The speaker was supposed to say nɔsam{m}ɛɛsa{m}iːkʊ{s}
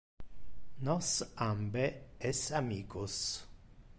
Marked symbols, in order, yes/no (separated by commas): no, yes, yes